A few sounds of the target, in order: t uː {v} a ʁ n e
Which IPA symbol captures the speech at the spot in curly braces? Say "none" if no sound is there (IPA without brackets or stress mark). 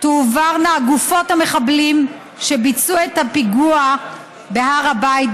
v